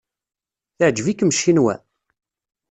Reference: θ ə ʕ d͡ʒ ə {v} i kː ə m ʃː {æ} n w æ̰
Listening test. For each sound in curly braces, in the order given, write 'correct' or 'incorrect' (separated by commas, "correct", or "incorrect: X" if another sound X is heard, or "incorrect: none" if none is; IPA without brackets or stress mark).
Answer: correct, incorrect: i